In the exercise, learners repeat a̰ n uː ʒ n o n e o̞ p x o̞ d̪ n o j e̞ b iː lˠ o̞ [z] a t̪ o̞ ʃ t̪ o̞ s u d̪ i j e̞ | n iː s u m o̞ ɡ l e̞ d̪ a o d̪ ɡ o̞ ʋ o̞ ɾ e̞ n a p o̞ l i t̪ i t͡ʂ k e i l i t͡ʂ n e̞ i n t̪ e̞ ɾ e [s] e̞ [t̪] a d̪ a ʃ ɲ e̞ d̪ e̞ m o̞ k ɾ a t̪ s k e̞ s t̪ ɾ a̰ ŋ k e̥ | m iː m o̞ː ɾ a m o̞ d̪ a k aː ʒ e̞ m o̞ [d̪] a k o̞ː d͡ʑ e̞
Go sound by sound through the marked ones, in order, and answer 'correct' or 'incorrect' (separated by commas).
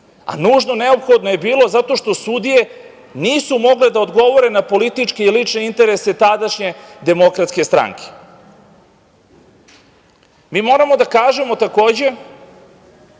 correct, correct, correct, incorrect